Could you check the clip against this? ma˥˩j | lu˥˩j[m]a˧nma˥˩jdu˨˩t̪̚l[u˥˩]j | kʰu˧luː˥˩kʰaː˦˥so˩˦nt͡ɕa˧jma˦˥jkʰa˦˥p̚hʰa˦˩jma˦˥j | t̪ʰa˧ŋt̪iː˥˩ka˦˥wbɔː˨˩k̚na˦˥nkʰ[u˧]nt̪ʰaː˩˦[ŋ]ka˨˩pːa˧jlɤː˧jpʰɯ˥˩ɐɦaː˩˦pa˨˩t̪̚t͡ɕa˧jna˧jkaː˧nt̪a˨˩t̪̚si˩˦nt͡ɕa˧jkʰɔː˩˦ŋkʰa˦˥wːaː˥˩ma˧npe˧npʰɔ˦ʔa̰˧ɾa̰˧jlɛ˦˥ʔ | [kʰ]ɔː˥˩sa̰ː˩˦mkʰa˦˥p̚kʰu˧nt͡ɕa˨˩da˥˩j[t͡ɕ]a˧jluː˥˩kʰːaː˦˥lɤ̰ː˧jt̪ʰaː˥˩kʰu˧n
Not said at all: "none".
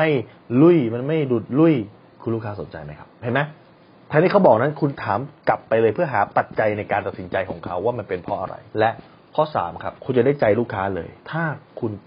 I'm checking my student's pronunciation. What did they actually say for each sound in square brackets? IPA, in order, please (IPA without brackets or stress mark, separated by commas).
m, u˥˩, u˧, m, kʰ, t͡ɕ